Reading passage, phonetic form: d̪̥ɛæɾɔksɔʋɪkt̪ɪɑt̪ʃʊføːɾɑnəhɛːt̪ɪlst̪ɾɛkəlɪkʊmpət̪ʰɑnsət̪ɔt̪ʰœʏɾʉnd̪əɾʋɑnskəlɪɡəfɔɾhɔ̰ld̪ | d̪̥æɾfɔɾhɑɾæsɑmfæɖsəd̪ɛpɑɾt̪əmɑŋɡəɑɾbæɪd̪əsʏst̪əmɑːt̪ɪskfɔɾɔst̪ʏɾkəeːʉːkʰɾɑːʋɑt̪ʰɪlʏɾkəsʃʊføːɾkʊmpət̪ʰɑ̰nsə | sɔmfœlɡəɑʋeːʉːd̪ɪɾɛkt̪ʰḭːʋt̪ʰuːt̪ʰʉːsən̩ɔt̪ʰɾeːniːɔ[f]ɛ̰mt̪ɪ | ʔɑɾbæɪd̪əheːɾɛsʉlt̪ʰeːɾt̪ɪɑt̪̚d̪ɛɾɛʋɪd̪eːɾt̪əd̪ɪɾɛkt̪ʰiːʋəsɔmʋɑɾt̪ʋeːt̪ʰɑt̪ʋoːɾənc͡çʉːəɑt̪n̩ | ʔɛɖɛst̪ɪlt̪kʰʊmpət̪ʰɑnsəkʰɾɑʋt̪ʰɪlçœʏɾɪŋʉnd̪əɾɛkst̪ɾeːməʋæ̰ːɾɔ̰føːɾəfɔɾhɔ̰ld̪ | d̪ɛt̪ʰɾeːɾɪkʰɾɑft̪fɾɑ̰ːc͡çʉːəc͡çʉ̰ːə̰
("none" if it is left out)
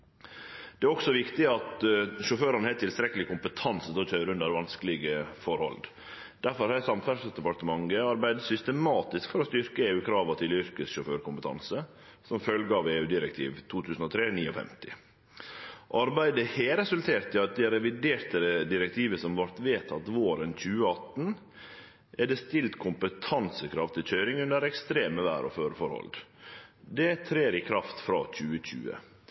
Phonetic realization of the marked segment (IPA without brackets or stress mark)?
f